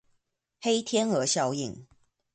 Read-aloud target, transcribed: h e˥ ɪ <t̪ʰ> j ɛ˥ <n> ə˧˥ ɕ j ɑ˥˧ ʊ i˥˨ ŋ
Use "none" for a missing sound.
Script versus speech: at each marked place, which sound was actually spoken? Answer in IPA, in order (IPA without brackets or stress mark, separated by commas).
t̪ʰ, n